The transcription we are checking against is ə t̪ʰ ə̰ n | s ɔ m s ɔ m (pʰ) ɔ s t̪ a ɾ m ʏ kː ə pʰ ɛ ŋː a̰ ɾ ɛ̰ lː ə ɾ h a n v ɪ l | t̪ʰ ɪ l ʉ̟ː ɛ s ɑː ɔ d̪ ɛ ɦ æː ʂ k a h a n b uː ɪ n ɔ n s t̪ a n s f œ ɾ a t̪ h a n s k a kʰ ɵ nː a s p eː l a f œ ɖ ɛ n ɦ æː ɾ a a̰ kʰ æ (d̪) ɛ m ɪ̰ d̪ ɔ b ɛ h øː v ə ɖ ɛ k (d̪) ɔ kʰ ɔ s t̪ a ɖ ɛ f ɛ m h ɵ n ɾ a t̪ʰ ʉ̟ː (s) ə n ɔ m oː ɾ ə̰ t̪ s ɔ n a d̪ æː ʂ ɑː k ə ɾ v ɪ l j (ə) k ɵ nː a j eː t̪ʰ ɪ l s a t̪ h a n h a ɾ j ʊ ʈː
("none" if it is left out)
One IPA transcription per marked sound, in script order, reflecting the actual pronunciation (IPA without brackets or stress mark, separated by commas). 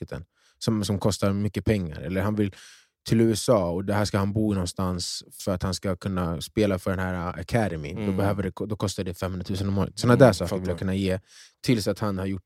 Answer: kʰ, d̪, d̪, s, a